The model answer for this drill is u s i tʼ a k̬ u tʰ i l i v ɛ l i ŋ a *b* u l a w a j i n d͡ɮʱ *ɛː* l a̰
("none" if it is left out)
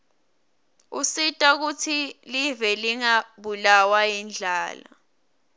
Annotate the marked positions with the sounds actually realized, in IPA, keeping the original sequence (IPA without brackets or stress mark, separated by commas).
ɓ, aː